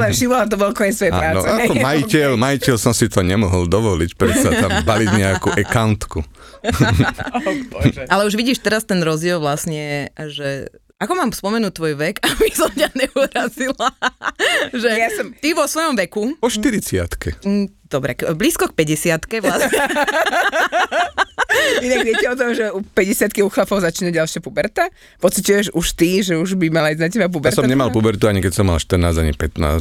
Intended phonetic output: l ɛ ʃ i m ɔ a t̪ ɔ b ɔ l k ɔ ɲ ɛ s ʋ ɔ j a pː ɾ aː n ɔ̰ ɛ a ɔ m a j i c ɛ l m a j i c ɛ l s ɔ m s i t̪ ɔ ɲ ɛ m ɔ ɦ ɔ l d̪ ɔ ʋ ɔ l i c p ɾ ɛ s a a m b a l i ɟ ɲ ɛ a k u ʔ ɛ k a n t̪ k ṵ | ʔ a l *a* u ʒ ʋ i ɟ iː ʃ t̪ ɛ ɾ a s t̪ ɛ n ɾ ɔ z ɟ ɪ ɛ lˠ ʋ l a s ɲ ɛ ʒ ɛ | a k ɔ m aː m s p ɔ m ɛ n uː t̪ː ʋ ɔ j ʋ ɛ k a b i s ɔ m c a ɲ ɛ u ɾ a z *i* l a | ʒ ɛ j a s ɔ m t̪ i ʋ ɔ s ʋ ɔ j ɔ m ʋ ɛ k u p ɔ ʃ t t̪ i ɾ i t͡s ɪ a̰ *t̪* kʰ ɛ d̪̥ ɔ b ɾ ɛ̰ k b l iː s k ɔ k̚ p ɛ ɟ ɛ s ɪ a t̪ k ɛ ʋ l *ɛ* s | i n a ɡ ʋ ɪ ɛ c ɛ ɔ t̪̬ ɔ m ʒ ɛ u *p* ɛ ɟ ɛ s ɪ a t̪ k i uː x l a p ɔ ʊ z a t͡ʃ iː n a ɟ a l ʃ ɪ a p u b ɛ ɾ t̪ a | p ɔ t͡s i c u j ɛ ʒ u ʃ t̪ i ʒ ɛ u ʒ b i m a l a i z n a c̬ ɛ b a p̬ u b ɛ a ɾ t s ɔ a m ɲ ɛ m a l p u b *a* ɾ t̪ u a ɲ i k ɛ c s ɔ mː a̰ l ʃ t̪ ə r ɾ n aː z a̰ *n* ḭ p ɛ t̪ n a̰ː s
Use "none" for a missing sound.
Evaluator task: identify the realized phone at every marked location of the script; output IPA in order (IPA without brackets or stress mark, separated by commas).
ɛ, i, t̪, a, p, ɛ, ɲ